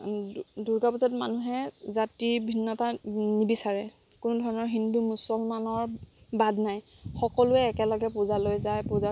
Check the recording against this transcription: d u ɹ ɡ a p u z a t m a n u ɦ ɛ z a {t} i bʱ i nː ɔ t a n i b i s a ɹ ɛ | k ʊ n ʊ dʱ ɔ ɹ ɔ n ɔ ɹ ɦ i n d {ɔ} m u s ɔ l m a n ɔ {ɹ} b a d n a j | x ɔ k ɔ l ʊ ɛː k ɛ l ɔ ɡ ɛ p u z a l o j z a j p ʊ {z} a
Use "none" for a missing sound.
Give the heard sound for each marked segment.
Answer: t, u, ɹ, z

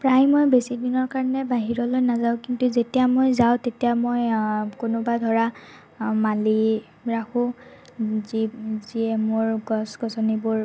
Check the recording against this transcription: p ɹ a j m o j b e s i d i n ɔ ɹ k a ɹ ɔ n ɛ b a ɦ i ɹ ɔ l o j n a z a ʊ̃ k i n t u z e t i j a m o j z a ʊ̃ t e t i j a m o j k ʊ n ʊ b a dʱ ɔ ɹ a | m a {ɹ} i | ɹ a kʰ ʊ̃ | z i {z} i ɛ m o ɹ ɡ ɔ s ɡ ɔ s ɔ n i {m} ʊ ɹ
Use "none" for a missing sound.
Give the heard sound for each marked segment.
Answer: l, z, b

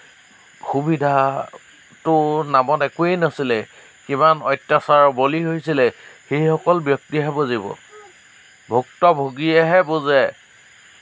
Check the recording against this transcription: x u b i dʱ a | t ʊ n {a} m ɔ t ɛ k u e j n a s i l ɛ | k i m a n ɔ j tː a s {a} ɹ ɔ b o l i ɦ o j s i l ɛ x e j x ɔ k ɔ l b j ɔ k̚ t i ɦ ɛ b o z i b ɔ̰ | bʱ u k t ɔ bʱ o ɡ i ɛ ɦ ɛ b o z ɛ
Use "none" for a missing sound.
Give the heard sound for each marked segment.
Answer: a, a

